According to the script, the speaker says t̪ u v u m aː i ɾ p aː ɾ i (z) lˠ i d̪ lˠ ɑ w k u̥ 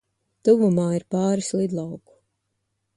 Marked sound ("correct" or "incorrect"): incorrect